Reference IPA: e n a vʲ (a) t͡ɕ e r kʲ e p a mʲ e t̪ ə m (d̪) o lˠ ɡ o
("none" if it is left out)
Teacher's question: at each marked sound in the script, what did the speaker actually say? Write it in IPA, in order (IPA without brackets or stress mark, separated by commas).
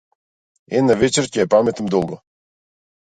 e, d̪